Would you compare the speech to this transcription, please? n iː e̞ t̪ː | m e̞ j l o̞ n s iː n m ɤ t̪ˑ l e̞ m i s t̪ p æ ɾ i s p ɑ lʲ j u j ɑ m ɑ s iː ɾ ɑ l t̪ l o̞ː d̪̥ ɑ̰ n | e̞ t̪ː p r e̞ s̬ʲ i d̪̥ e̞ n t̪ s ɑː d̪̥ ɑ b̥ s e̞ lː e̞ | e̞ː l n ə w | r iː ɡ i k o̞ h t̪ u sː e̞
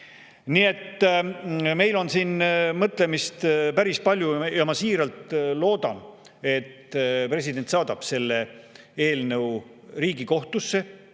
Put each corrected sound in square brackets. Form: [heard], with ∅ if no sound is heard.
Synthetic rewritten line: n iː e̞ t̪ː | m e̞ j l o̞ n s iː n m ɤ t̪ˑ l e̞ m i s t̪ p æ ɾ i s p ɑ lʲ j u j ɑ m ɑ s iː ɾ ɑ l t̪ l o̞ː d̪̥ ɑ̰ n | e̞ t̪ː p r e̞ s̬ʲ i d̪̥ e̞ n t̪ s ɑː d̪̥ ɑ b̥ s e̞ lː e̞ | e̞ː l n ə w | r iː ɡ i k o̞ h t̪ u sː e̞